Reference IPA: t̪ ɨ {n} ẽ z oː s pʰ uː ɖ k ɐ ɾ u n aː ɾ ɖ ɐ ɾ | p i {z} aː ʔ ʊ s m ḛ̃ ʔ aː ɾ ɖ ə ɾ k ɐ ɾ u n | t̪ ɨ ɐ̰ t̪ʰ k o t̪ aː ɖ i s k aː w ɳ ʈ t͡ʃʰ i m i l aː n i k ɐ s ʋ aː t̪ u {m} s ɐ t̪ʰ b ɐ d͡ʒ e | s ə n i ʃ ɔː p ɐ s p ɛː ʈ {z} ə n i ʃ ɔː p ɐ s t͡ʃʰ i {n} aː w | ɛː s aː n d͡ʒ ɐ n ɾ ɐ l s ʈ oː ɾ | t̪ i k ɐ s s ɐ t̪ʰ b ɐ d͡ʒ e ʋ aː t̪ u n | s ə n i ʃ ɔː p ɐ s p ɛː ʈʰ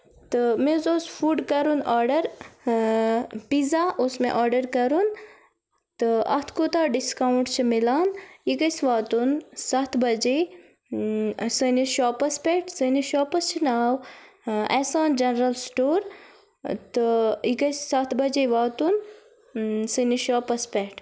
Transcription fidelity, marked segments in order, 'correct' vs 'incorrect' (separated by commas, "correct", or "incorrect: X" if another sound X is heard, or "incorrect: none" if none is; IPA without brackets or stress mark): incorrect: m, correct, incorrect: n, incorrect: s, correct